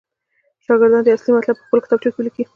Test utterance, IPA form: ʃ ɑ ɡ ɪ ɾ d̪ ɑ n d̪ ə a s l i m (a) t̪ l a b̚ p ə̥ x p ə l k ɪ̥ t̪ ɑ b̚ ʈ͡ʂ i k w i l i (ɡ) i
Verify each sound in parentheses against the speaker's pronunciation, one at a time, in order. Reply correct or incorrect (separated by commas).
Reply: correct, incorrect